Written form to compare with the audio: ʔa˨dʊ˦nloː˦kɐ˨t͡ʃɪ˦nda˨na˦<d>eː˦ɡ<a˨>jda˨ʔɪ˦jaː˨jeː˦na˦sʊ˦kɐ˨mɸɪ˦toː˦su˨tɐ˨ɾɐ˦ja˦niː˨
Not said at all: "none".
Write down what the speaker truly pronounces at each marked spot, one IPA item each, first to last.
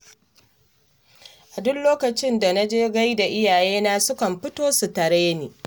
d͡ʒ, a˦

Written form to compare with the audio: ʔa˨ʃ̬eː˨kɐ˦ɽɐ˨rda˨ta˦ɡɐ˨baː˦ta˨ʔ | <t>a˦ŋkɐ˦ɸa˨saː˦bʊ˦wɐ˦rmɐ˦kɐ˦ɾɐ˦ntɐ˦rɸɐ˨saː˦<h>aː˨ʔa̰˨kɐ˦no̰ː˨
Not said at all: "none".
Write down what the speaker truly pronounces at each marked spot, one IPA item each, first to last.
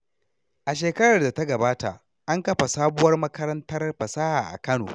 ʔ, h

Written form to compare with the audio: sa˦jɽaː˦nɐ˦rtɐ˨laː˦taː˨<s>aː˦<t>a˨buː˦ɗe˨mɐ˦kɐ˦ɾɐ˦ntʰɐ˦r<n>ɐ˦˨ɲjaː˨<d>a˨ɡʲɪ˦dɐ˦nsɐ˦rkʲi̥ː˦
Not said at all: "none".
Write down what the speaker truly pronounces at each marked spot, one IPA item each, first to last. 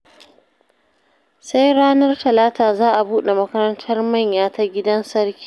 z, ʔ, m, t

